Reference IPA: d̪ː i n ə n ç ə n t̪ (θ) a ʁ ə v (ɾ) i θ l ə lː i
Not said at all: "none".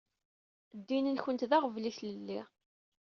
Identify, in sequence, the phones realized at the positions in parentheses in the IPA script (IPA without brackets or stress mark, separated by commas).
ð, l